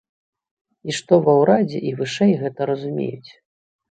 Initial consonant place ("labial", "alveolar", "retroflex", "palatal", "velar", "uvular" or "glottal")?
retroflex